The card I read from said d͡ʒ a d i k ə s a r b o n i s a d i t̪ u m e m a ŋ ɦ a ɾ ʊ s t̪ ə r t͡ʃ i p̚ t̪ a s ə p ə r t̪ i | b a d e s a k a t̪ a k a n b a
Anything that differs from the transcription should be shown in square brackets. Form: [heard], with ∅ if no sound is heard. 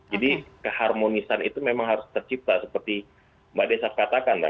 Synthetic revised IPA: d͡ʒ a d i k ə [h] a r [m] o n i s a [n] i t̪ u m e m a ŋ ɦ a ɾ ʊ s t̪ ə r t͡ʃ i p̚ t̪ a s ə p ə r t̪ i | b a d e s a k a t̪ a k a n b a